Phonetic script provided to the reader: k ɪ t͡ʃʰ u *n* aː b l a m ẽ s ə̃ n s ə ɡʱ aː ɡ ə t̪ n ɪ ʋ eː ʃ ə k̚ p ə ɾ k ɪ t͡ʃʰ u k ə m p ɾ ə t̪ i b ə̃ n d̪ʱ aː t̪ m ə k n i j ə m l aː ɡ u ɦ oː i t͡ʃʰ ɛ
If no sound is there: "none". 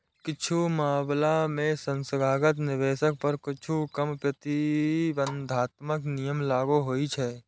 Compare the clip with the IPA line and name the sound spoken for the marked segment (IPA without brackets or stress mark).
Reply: m